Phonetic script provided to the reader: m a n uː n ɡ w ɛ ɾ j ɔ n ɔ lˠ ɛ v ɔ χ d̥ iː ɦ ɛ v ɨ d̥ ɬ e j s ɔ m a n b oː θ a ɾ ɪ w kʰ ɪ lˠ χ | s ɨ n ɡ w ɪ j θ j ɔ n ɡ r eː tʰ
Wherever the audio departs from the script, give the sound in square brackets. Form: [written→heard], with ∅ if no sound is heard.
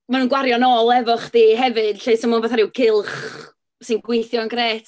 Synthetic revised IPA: m a n uː n ɡ w [ɛ→a] ɾ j ɔ n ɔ lˠ ɛ v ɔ χ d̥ iː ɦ ɛ v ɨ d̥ ɬ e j s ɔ m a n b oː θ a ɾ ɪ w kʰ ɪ lˠ χ | s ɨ n ɡ w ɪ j θ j ɔ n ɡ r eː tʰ